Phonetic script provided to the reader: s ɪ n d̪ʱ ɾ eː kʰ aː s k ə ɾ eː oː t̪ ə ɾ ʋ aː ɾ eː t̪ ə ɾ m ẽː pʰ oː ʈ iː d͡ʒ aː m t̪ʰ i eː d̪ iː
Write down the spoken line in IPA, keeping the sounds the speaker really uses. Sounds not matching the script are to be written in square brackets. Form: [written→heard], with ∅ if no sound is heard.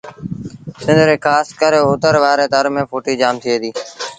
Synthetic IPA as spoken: s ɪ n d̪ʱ ɾ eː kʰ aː s k ə ɾ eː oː t̪ ə ɾ ʋ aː ɾ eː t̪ ə ɾ m ẽː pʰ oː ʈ iː d͡ʒ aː m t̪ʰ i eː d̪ iː